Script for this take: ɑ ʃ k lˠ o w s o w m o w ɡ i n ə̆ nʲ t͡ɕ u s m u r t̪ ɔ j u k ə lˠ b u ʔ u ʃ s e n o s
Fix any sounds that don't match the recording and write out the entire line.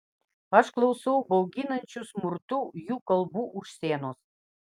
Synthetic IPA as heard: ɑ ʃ k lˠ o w s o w b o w ɡ i n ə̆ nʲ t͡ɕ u s m u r t̪ u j u k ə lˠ b u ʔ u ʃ s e n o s